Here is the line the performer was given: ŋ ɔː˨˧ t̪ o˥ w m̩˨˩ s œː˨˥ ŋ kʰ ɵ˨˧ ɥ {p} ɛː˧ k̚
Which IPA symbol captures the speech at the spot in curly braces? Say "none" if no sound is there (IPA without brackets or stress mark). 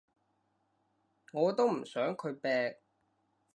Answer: p